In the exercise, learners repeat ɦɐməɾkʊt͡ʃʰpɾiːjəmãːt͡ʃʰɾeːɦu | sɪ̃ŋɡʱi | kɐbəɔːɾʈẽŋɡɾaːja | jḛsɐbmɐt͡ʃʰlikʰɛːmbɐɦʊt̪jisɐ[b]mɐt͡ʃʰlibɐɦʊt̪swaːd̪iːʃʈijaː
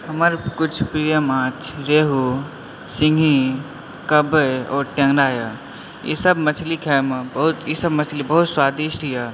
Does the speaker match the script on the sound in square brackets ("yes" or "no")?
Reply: yes